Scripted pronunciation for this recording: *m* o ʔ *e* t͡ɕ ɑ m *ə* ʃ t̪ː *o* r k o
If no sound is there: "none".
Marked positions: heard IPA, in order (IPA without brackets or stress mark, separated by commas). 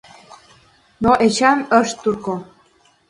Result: n, e, ə, u